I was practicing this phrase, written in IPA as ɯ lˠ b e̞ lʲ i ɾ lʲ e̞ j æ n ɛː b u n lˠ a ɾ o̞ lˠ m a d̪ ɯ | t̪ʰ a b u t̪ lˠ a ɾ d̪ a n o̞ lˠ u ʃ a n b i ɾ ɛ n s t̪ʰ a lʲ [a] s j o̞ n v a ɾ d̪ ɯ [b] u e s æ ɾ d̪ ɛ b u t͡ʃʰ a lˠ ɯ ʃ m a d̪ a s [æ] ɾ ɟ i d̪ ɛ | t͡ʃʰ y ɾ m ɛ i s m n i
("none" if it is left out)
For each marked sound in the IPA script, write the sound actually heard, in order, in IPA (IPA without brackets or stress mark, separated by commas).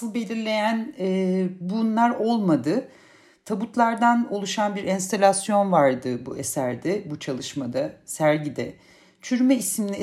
a, b, æ